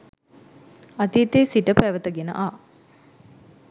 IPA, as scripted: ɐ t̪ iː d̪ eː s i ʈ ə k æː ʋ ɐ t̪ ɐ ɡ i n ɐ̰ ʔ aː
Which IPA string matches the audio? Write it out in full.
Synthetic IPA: ɐ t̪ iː t̪ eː s i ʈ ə p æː ʋ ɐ t̪ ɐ ɡ e n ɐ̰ ʔ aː